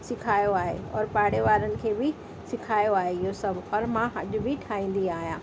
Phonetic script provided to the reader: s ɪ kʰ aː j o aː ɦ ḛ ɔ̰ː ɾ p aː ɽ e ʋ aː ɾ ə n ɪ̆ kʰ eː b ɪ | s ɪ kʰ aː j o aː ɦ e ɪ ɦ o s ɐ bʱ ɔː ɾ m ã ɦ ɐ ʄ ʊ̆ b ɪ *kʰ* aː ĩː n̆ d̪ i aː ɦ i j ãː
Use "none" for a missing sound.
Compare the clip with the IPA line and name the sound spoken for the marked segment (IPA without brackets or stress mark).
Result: ʈʰ